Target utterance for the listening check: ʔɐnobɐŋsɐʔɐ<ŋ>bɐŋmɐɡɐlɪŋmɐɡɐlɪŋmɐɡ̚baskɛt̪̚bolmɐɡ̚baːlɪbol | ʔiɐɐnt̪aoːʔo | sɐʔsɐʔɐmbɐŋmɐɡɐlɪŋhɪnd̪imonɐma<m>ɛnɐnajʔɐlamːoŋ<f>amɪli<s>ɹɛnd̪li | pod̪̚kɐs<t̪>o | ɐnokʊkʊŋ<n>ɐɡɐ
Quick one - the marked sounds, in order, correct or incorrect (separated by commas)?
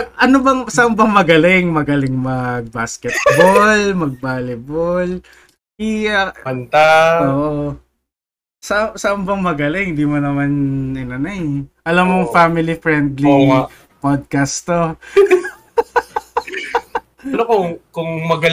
incorrect, incorrect, correct, incorrect, correct, incorrect